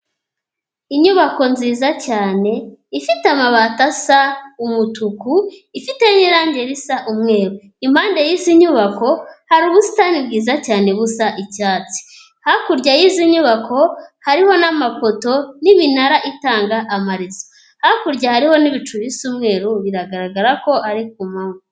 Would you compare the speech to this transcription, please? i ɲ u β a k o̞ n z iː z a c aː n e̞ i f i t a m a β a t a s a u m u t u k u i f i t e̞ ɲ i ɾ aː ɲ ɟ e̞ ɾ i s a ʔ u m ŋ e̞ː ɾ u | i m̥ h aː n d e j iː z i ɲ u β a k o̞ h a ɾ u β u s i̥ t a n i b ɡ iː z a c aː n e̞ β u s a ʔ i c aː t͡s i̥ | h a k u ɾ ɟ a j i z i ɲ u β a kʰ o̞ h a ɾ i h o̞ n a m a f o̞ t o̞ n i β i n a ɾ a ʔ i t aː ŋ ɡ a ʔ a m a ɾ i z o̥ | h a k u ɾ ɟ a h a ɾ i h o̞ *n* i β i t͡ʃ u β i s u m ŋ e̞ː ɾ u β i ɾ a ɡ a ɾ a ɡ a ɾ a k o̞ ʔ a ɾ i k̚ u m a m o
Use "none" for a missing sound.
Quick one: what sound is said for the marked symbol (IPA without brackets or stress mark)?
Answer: n